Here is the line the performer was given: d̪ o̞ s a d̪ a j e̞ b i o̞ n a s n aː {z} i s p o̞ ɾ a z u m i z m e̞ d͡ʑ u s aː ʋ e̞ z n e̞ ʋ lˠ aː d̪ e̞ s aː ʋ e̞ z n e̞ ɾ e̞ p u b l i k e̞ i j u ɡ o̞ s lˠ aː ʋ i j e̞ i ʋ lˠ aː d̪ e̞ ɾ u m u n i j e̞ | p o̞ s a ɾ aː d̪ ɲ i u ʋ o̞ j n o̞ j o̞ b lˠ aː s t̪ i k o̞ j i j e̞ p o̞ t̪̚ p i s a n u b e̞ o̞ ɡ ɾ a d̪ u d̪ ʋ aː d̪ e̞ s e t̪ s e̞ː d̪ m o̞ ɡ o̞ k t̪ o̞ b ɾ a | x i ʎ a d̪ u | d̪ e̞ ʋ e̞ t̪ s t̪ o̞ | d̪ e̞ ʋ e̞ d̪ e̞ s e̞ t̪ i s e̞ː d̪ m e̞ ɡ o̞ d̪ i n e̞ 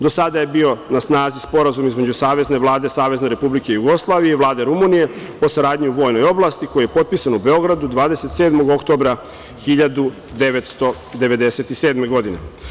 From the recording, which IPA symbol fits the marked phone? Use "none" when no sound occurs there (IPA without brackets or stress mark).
z